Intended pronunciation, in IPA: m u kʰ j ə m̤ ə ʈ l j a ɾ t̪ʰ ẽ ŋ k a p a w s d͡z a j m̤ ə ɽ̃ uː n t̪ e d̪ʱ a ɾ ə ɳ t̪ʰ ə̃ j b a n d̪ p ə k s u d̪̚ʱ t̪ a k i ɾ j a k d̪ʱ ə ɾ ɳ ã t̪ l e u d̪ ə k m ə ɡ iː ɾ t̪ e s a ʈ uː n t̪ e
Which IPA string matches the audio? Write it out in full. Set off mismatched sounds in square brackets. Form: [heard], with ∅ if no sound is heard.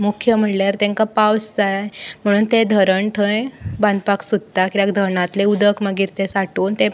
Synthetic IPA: m u kʰ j ə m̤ ə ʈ l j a ɾ [t̪] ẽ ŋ k a p a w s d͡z a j m̤ ə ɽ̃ uː n t̪ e d̪ʱ [ə] ɾ ə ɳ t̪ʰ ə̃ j b a n d̪ p [a] k s u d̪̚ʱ t̪ a k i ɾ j a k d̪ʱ ə ɾ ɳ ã t̪ l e u d̪ ə k m ə ɡ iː ɾ t̪ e s a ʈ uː n t̪ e